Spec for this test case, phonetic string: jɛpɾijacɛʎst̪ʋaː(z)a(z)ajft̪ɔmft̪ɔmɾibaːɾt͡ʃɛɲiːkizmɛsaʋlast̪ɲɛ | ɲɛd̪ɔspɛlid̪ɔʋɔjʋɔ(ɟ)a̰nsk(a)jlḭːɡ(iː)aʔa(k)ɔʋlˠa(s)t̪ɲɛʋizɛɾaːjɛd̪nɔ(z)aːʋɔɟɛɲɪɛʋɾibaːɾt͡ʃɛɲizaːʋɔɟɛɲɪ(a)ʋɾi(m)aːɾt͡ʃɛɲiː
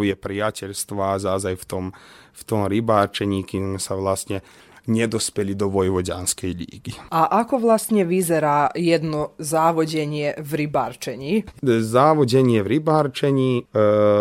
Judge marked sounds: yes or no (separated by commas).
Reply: yes, yes, yes, no, no, yes, yes, yes, no, no